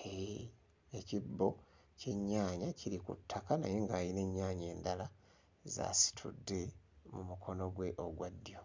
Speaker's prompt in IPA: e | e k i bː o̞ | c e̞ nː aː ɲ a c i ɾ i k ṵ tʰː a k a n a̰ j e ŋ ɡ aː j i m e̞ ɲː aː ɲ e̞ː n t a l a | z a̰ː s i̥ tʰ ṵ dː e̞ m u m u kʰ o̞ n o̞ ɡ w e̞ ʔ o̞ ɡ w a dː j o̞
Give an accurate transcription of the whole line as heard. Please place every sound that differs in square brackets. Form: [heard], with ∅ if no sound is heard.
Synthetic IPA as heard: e | e [c] i bː o̞ | c e̞ [ɲː] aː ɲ a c i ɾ i k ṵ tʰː a k a n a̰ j e ŋ ɡ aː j i [n] e̞ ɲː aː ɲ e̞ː n [d] a l a | z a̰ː s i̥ tʰ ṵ dː e̞ m u m u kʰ o̞ n o̞ ɡ w e̞ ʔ o̞ ɡ w a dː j o̞